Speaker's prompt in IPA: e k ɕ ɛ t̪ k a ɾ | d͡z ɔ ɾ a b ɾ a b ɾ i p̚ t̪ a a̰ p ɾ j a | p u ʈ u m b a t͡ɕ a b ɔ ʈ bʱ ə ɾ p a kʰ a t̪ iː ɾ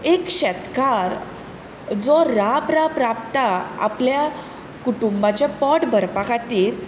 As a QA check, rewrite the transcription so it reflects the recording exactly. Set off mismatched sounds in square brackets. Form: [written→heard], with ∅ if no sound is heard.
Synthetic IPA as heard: e k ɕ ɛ t̪ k a ɾ | d͡z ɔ ɾ a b ɾ a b ɾ [i→a] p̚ t̪ a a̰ p [ɾ→l] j a | [p→k] u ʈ u m b a t͡ɕ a [b→p] ɔ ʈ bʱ ə ɾ p a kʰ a t̪ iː ɾ